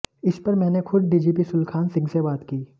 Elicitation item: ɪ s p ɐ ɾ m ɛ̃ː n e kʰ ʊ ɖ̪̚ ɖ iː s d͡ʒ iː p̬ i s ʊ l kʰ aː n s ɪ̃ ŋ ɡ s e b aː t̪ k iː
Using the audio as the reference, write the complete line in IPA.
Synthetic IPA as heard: ɪ s p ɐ ɾ m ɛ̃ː n e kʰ ʊ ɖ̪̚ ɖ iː d͡ʒ iː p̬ i s ʊ l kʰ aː n s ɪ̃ ŋ ɡ s e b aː t̪ k iː